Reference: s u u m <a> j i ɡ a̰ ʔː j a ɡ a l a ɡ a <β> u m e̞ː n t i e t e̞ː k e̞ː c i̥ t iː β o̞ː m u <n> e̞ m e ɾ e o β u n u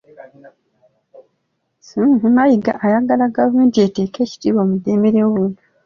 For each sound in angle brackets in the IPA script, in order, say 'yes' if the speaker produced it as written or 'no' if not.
yes, no, no

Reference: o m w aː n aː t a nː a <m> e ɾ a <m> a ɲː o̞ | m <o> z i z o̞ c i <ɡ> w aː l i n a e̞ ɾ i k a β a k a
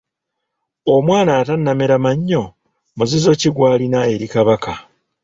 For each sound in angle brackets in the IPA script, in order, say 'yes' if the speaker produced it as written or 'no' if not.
yes, yes, no, yes

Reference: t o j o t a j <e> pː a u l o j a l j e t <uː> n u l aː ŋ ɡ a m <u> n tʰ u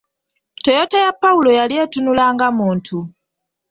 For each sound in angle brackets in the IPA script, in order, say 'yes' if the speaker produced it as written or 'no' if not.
no, no, no

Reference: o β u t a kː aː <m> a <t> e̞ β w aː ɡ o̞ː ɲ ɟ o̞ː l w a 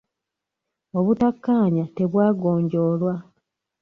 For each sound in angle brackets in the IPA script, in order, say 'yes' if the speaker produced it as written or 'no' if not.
no, yes

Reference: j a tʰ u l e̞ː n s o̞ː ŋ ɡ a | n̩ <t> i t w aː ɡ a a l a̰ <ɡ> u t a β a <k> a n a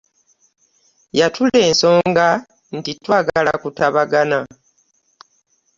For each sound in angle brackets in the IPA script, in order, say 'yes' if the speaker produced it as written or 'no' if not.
yes, no, no

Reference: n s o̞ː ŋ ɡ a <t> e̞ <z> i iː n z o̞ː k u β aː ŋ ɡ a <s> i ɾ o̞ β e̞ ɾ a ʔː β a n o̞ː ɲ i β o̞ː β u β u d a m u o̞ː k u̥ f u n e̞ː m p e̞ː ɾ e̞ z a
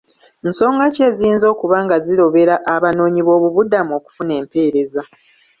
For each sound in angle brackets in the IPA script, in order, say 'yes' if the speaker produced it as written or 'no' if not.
no, yes, no

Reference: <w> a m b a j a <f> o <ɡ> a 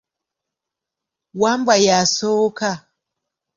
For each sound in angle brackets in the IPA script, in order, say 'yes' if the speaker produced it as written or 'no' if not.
yes, no, no

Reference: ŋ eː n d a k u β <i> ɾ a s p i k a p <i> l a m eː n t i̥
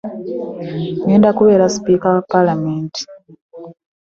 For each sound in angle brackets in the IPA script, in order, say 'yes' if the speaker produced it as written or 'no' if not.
no, no

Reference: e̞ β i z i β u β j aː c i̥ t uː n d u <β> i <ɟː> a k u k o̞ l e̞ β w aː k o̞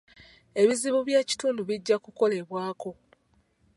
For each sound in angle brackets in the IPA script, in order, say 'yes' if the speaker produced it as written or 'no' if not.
yes, yes

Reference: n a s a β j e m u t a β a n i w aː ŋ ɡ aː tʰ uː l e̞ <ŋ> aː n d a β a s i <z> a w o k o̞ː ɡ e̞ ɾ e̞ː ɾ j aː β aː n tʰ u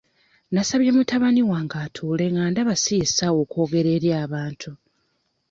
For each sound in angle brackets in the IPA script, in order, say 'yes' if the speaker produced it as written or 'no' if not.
yes, no

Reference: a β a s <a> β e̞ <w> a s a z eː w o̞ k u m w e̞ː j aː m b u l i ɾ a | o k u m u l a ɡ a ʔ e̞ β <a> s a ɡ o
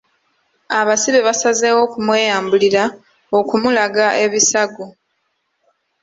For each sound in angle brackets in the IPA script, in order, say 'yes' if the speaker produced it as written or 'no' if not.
no, no, no

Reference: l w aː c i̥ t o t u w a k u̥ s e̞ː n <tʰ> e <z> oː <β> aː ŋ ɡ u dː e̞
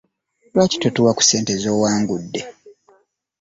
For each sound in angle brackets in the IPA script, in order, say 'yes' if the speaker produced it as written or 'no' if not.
no, yes, no

